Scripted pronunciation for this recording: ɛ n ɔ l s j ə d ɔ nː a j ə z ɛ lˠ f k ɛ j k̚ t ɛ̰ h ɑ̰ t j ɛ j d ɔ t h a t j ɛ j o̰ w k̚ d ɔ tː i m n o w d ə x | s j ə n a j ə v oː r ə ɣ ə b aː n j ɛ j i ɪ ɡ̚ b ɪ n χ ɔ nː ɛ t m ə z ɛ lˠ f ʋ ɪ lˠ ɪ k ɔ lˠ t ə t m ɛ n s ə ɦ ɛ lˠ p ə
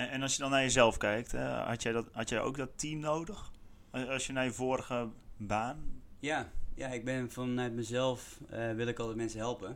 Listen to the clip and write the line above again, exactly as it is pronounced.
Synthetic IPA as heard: ɛ n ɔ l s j ə d ɔ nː a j ə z ɛ lˠ f k ɛ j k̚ t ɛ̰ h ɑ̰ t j ɛ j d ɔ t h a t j ɛ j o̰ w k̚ d ɔ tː i m n o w d ə x | s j ə n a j ə v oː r ə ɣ ə b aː n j a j a ɪ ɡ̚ b ɪ n f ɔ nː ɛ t m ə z ɛ lˠ f ʋ ɪ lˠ ɪ k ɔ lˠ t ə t m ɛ n s ə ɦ ɛ lˠ p ə